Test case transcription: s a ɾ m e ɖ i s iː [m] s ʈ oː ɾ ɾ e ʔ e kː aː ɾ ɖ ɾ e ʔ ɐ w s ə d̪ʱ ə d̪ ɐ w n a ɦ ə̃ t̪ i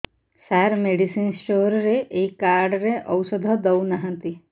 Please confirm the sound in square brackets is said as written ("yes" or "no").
no